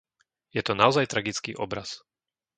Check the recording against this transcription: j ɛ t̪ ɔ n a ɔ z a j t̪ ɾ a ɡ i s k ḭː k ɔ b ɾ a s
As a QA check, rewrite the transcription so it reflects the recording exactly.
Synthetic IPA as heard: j ɛ t̪ ɔ n a ɔ z a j t̪ ɾ a ɡ i t͡s k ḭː ʔ ɔ b ɾ a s